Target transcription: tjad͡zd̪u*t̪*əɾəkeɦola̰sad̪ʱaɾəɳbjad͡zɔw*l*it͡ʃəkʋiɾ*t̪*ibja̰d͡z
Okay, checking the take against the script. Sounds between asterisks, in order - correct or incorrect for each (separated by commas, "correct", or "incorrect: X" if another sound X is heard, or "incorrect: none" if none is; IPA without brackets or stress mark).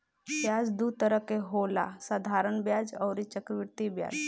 correct, incorrect: ɾ, correct